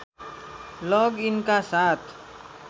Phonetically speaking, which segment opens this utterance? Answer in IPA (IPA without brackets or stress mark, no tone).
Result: l